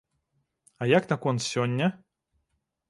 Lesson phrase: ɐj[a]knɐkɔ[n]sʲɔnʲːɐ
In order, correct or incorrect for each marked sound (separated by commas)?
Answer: correct, correct